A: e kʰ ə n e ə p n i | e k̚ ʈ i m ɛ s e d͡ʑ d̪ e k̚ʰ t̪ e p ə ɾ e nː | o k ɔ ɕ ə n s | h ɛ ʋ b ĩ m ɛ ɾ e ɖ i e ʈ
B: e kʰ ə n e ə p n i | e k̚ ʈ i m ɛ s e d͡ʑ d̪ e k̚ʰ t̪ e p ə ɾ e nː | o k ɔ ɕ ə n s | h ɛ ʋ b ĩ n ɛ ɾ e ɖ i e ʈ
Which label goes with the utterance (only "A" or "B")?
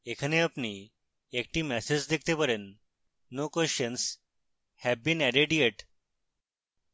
B